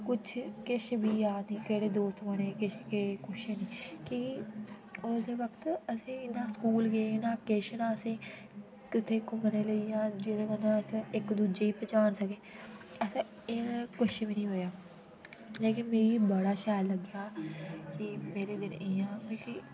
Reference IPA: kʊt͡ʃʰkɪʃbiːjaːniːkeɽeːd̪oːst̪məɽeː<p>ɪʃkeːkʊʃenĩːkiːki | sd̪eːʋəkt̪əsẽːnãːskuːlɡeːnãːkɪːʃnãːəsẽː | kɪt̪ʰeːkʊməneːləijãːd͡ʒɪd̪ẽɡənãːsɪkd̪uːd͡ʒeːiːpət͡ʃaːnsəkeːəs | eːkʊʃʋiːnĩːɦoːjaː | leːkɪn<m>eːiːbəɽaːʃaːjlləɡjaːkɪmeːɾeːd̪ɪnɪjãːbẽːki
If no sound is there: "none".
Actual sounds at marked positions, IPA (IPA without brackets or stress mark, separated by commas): k, m